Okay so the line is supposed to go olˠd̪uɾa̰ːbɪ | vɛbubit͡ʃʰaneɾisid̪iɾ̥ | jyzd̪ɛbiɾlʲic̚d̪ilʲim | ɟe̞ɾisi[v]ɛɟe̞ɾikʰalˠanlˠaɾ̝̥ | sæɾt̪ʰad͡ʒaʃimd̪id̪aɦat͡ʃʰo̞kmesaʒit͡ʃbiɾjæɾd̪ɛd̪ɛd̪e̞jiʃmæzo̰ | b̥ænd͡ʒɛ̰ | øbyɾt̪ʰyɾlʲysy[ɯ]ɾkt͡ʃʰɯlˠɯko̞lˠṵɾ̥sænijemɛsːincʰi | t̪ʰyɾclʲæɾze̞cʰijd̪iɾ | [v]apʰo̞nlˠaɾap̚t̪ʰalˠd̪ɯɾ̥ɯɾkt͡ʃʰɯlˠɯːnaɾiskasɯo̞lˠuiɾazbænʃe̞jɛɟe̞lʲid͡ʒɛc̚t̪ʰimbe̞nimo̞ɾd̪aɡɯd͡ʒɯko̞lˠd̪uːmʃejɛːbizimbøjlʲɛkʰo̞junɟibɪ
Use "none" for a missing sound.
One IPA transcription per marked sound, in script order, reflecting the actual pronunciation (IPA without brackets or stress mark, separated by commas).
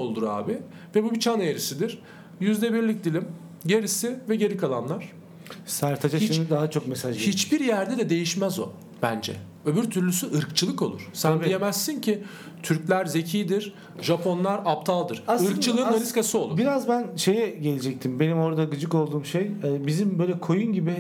v, ɯ, ʒ